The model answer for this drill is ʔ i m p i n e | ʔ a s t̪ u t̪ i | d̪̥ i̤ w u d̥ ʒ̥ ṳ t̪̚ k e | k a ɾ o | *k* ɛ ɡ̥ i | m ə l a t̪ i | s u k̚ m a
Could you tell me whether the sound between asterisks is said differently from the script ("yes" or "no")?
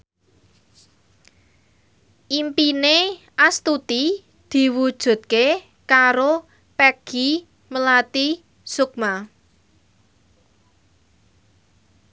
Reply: yes